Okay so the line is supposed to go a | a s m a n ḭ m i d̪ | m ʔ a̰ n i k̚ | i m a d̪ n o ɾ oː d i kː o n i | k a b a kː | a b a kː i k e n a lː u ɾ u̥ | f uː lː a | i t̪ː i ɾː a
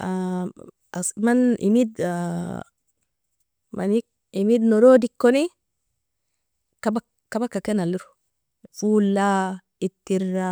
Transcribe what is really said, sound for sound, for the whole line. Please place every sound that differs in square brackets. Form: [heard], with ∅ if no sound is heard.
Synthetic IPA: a | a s m a n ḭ m i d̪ | m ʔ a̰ n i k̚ | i m [i] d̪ n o ɾ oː d i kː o n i | k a b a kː | a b a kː [a] k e n a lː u ɾ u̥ | f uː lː a | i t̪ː i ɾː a